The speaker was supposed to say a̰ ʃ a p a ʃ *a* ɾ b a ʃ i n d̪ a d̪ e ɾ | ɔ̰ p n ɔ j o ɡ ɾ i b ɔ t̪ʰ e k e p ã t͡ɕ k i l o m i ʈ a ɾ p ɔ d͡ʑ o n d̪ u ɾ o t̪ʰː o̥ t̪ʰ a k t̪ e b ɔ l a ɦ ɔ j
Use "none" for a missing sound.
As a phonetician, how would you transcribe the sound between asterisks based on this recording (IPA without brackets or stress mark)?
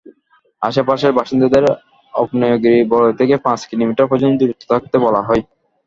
e